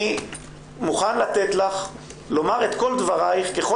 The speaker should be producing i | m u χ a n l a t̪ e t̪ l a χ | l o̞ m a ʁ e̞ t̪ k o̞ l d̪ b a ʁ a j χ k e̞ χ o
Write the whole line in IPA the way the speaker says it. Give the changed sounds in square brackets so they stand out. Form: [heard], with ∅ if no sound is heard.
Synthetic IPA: i | m u χ a n l a t̪ e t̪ l a χ | l o̞ m a ʁ e̞ t̪ k o̞ l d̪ [v] a ʁ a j χ k e̞ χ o

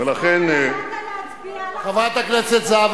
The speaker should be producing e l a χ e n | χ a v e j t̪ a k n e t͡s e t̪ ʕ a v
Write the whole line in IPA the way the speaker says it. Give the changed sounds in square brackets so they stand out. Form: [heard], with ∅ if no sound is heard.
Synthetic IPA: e l a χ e n | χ a v [a] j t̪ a k n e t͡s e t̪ [z] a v

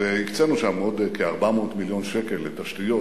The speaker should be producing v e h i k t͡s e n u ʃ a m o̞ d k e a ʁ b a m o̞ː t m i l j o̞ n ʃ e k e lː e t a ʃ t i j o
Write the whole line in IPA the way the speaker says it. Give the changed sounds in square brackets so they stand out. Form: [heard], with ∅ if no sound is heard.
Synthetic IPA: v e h i k t͡s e n u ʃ a m o̞ d k e a ʁ b a m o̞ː t m i l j o̞ n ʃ e k e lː e t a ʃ t i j o

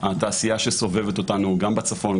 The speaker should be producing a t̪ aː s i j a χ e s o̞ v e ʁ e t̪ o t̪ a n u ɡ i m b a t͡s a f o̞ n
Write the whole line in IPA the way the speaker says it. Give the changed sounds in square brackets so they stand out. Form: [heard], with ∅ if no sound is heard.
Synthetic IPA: a t̪ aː s i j a [ʃ] e s o̞ v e [v] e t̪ o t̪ a n u ɡ [a] m b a t͡s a f o̞ n

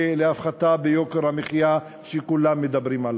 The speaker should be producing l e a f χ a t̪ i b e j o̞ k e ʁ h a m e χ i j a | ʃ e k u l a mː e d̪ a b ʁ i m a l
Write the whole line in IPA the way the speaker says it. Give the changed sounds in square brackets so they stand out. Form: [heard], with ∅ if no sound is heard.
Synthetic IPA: l e a f χ a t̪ [a] b e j o̞ k e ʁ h a m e χ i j a | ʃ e k u l a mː e d̪ a b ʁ i m a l

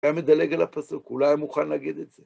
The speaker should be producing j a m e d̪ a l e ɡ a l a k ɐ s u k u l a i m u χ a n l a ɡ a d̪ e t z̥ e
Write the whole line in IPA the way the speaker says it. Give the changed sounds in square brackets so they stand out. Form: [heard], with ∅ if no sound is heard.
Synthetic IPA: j a m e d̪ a l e ɡ a l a [p] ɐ s u k u l a [j] m u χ a n l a ɡ [i] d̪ e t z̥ e

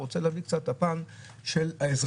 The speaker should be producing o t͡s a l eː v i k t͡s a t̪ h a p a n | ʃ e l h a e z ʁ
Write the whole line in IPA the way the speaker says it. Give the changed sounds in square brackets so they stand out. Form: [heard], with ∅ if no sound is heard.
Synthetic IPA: o t͡s [e] l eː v i k t͡s a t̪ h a p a n | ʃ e l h a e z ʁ

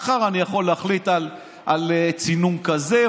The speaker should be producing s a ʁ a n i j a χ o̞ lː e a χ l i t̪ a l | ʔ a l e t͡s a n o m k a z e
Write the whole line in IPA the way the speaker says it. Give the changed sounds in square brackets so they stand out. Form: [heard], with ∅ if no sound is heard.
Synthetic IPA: [χ] a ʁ a n i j a χ o̞ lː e a χ l i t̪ a l | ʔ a l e t͡s [i] n [u] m k a z e

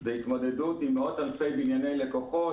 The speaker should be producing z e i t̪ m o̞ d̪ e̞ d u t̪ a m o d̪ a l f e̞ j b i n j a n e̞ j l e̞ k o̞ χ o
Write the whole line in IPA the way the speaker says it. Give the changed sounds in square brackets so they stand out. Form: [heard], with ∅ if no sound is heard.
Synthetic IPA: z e i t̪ m o̞ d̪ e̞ d u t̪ [i] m o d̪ a l f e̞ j b i n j a n e̞ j l e̞ k o̞ χ o

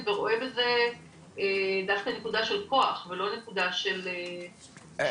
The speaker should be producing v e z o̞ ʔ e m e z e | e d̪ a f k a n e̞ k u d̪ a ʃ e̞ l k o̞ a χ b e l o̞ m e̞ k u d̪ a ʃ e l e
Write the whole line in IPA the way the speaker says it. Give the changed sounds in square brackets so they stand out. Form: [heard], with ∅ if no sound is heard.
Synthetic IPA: v e [ʁ] o̞ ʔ e [b] e z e | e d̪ a f k a n e̞ k u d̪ a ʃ e̞ l k o̞ a χ [v] e l o̞ [n] e̞ k u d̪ a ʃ e l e

